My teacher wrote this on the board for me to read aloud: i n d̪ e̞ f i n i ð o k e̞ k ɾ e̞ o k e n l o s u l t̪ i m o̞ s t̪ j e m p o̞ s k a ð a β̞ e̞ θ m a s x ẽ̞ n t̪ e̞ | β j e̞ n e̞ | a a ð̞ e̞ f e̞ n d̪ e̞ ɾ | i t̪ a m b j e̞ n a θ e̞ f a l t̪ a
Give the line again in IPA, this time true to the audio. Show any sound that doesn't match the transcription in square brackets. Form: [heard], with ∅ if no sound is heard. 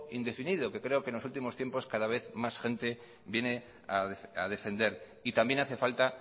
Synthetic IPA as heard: i n d̪ e̞ f i n i ð o k e̞ k ɾ e̞ o k e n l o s u l t̪ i m o̞ s t̪ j e m p o̞ s k a ð a β̞ e̞ θ m a s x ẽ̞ n t̪ e̞ | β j e̞ n e̞ | a a ð̞ e̞ f e̞ n d̪ e̞ ɾ | i t̪ a m b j e̞ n a θ e̞ f a l t̪ a